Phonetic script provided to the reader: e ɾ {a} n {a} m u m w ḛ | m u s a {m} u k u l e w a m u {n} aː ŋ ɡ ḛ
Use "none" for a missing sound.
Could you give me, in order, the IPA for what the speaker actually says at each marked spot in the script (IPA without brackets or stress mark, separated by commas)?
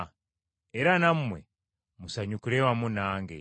a, a, ɲ, n